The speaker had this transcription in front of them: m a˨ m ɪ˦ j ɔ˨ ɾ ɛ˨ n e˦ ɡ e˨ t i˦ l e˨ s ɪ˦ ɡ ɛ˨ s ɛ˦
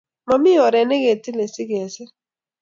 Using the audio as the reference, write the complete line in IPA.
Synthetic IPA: m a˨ m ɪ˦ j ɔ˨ ɾ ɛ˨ n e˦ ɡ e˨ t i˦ l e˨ s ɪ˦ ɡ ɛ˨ s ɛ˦